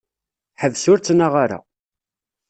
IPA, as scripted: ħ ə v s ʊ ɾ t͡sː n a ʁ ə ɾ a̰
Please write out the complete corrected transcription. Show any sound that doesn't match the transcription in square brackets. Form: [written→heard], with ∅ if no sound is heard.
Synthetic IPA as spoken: ħ ə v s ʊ ɾ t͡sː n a ʁ [ə→a] ɾ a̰